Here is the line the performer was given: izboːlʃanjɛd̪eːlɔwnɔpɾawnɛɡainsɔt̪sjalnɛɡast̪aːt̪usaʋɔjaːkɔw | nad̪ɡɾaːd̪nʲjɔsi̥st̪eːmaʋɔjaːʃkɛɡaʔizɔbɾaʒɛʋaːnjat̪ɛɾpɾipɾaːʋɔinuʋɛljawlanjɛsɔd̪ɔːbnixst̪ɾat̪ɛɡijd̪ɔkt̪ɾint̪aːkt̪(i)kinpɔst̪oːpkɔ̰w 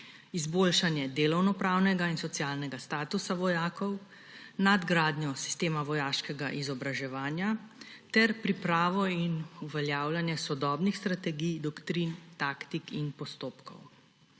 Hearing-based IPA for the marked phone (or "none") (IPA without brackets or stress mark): i